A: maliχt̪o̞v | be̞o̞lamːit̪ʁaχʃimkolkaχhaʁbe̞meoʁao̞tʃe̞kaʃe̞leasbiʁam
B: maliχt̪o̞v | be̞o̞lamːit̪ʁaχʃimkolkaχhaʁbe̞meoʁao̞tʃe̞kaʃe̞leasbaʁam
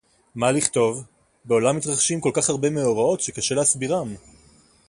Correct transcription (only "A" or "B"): A